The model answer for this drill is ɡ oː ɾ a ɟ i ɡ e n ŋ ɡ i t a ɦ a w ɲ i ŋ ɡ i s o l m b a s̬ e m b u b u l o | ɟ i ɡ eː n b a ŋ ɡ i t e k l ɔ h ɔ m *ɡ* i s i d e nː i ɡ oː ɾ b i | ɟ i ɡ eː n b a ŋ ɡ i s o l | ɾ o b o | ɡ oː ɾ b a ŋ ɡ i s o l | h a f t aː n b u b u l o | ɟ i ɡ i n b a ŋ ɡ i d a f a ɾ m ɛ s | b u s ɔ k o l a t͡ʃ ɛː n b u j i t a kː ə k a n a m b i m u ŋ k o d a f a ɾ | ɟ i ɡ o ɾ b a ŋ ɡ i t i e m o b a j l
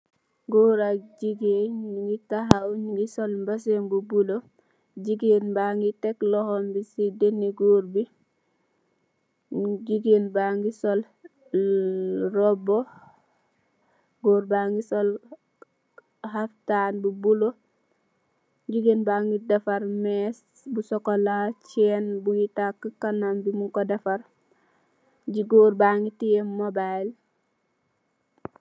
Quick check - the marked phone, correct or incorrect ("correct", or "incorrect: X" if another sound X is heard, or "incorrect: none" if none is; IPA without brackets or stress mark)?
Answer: incorrect: b